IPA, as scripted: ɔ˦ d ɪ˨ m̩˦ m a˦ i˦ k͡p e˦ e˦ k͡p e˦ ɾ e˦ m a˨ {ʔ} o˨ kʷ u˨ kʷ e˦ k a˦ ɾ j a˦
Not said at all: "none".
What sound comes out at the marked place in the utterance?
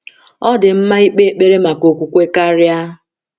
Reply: k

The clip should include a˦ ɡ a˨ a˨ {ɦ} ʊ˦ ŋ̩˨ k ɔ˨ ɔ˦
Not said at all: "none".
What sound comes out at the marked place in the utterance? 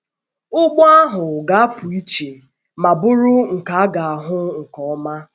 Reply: ɦ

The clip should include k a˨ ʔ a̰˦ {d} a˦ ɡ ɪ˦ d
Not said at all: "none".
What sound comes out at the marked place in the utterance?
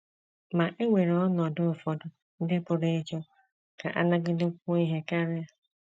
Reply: n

